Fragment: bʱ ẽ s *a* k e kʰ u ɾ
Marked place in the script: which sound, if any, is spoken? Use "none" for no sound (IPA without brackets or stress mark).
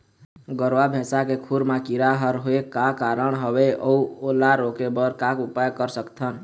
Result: a